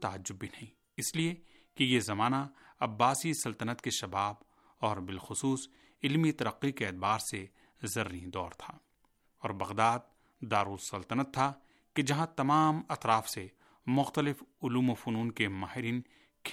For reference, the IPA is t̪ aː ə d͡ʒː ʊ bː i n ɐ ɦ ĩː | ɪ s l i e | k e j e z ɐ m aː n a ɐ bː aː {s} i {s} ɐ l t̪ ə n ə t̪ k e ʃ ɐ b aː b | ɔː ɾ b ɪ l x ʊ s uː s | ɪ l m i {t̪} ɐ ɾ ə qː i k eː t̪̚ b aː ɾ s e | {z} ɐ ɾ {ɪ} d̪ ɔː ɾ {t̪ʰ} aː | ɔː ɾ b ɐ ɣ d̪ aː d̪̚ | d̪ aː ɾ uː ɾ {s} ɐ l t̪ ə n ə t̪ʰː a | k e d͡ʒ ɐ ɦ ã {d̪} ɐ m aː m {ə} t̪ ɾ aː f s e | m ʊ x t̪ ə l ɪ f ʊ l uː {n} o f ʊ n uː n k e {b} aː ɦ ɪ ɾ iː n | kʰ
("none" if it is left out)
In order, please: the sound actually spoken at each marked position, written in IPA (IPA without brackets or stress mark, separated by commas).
s, s, t̪, z, i, t̪ʰ, s, t̪, ɐ, m, m